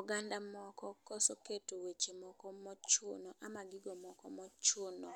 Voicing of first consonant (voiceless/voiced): voiced